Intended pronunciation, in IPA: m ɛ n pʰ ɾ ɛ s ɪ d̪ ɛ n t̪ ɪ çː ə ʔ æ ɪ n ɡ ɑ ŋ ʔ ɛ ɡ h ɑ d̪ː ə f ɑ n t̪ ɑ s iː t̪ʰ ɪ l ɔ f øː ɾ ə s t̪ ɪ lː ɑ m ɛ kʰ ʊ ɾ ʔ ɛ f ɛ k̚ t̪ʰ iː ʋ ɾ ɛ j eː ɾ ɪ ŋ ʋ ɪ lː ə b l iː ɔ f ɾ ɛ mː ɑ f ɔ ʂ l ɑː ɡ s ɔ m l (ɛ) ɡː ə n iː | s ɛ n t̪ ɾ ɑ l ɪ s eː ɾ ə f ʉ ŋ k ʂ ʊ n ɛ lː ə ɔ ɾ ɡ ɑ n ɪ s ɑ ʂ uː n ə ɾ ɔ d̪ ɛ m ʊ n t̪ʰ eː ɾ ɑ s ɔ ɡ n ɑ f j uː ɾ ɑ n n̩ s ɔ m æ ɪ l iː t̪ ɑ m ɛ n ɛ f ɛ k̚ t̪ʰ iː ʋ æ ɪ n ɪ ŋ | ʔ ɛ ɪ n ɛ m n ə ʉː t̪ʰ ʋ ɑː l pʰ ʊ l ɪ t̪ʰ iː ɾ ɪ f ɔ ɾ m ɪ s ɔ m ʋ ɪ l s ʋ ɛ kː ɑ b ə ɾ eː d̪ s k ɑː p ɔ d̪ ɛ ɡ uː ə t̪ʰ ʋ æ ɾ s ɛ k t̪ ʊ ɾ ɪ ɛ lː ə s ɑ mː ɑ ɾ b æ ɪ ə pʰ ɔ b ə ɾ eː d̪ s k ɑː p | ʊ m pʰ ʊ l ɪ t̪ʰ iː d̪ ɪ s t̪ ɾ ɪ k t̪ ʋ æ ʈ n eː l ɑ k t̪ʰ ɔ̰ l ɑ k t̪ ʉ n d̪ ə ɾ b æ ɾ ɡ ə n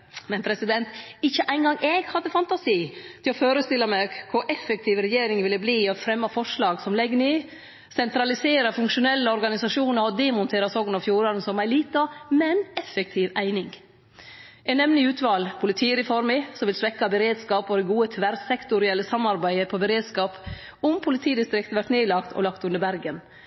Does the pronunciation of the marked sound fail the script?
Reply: no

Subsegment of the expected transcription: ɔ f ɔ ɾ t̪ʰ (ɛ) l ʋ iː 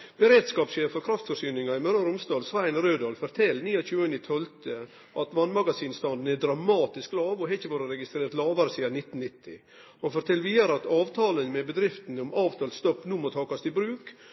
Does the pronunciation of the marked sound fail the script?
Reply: no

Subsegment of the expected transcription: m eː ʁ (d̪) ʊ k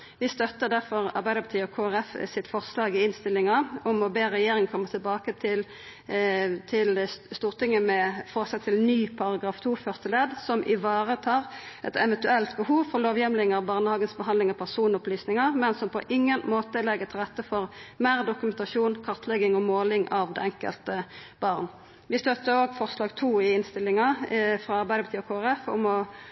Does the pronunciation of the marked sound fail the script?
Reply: no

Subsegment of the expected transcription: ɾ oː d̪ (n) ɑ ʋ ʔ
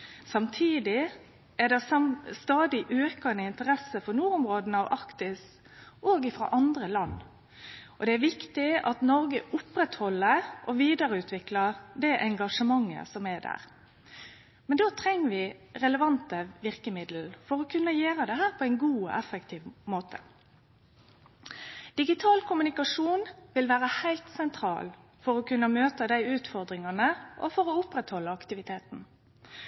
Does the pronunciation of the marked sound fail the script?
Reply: no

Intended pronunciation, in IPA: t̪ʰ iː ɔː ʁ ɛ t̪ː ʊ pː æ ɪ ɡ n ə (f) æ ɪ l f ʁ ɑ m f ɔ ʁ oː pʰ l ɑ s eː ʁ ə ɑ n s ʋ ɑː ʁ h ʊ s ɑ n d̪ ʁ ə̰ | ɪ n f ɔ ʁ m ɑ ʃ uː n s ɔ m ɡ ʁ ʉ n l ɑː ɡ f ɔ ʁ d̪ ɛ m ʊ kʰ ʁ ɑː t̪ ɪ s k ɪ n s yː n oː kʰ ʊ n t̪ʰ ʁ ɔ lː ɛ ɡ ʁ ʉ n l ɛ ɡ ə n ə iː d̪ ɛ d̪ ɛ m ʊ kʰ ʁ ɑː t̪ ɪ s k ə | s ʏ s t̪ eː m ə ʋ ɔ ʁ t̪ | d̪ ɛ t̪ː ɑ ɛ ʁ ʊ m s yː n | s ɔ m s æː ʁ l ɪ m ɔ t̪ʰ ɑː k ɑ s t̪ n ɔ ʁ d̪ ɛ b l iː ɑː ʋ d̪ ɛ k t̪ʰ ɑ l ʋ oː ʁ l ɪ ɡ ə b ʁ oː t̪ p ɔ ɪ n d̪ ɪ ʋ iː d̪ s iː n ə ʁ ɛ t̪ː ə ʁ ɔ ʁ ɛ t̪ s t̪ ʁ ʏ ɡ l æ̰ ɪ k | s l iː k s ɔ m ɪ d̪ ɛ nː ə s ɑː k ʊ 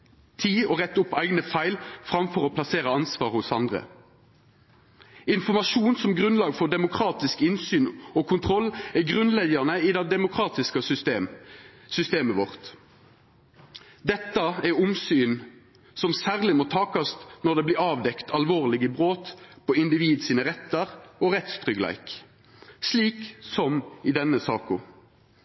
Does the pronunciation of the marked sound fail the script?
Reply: no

